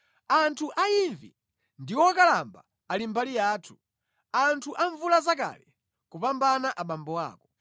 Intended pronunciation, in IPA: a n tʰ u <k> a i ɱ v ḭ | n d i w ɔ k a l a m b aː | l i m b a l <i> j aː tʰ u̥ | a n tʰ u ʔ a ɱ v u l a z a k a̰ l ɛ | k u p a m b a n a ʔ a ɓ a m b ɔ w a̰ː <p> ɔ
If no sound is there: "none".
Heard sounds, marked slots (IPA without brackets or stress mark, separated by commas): ʔ, i, k